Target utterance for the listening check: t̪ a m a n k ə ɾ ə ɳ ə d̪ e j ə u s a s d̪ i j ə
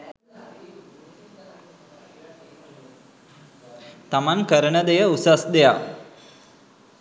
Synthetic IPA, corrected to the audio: t̪ a m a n k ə ɾ ə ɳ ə d̪ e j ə u s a s d̪ e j a